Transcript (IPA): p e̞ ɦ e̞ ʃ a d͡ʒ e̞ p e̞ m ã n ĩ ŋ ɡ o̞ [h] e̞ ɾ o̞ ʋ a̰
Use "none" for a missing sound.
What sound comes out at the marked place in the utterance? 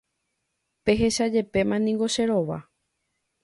ʃ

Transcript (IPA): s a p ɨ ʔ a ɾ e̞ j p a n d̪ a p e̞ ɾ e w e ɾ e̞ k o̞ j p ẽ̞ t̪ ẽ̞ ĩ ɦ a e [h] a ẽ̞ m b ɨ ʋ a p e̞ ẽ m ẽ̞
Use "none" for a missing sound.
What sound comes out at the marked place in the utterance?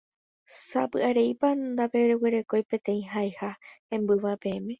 h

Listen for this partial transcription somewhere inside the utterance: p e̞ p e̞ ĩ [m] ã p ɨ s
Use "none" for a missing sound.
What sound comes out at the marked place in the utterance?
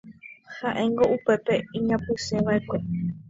ɲ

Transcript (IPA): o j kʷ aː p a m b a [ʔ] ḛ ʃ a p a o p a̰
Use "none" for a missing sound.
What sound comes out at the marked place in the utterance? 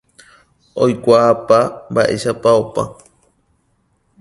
ʔ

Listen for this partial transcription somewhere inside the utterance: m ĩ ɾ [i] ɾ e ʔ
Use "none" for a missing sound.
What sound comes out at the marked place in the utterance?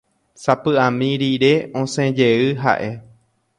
i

